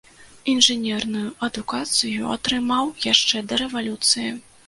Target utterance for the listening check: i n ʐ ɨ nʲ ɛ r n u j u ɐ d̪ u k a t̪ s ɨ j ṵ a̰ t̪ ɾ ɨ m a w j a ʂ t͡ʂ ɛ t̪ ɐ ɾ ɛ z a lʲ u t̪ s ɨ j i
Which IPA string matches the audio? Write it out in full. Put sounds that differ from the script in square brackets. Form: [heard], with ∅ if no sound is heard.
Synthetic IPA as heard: i n ʐ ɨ nʲ ɛ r n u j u ɐ d̪ u k a t̪ s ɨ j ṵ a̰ t̪ ɾ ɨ m a w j a ʂ t͡ʂ ɛ [d̪] ɐ ɾ ɛ [v] a lʲ u t̪ s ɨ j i